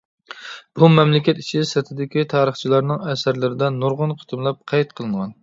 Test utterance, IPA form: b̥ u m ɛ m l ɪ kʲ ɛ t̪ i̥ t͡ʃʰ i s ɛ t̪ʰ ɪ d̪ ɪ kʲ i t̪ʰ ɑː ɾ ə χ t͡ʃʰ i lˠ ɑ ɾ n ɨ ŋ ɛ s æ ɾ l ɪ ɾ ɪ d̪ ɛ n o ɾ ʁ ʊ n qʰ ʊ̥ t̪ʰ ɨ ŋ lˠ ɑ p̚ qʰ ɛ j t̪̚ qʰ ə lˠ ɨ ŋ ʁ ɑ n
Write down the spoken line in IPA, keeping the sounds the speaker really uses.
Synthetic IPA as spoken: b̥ u m ɛ m l ɪ kʲ ɛ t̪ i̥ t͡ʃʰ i s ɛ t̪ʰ ɪ d̪ ɪ kʲ i t̪ʰ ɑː ɾ ə χ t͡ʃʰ i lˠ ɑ ɾ n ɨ ŋ ɛ s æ ɾ l ɪ ɾ ɪ d̪ ɛ n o ɾ ʁ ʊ n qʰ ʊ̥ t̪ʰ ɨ m lˠ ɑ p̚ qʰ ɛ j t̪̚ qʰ ə lˠ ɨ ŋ ʁ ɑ n